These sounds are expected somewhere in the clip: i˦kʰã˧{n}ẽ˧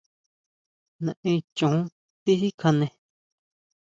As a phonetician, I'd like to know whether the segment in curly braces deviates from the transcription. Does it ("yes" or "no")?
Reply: no